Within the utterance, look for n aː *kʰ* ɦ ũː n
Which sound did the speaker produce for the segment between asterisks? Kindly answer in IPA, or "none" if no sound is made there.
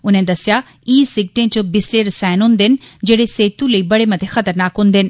k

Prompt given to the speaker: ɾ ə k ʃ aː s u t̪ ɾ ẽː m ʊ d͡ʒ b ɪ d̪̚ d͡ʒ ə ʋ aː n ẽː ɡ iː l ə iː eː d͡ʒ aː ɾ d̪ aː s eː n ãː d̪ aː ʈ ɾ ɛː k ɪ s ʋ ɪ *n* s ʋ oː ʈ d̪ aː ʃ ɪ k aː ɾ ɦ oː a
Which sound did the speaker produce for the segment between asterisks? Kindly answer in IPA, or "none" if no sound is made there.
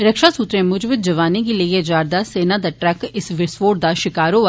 none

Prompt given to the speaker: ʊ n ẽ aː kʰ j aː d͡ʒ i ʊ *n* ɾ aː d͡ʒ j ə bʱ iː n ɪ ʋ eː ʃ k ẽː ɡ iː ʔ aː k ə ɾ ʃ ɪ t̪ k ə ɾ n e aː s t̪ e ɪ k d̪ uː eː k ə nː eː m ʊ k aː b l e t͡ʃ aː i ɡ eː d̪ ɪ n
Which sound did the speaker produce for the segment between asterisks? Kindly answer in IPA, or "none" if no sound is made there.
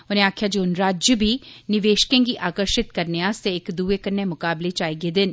n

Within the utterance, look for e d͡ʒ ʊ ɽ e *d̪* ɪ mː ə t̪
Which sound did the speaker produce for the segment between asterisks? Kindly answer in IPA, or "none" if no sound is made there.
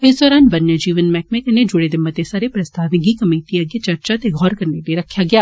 d̪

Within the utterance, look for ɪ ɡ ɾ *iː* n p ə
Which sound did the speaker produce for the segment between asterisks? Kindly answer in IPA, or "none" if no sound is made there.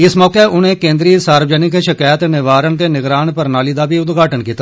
aː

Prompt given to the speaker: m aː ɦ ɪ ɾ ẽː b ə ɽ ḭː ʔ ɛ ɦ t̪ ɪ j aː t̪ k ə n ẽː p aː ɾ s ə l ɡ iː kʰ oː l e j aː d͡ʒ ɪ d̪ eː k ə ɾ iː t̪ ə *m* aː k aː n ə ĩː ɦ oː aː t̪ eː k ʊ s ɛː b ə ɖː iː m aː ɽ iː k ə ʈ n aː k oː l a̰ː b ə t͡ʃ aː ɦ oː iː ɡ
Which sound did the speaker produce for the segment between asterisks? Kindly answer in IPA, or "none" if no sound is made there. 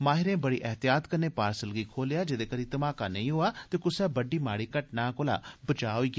m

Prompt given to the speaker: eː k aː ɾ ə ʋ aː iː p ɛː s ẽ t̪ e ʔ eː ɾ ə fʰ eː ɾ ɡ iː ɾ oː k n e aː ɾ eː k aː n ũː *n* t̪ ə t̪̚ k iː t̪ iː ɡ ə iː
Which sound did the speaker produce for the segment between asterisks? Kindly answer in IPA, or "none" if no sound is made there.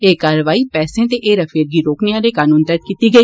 n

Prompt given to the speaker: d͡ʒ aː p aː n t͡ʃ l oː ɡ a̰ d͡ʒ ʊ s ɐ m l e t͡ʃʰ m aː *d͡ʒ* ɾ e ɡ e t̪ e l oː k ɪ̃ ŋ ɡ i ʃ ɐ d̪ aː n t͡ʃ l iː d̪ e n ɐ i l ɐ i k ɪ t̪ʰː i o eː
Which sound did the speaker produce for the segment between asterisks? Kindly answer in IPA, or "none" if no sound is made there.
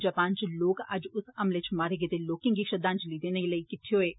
none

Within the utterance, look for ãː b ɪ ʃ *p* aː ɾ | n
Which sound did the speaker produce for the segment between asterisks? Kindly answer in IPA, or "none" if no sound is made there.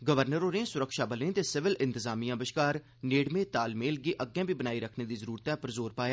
k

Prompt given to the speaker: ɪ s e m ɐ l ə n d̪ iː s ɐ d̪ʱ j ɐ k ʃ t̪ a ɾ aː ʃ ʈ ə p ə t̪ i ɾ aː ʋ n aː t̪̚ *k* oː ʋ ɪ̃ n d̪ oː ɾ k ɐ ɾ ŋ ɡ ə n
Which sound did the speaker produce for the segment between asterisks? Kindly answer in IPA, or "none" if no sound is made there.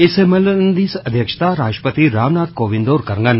k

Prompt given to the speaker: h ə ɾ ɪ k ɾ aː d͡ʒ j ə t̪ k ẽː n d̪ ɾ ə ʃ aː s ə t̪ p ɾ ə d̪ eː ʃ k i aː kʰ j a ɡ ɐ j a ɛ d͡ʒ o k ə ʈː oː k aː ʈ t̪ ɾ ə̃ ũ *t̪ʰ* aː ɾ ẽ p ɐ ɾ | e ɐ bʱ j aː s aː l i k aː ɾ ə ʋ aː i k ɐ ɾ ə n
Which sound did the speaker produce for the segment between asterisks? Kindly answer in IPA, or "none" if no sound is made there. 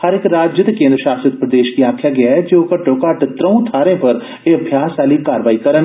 t̪ʰ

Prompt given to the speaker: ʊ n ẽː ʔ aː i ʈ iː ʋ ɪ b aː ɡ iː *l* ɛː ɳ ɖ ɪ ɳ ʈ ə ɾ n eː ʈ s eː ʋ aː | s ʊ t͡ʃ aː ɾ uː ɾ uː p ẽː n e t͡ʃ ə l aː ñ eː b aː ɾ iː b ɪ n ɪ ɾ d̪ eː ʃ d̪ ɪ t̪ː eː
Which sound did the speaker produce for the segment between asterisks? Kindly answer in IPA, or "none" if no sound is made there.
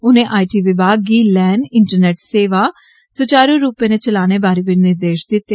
l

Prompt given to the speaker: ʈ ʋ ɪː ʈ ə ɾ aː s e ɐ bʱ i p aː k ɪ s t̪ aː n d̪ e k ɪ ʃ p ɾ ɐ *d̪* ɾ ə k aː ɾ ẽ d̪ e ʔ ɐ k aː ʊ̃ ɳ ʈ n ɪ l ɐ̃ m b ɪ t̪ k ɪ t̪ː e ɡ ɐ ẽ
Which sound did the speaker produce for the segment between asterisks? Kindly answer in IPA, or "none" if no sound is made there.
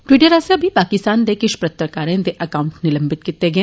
t̪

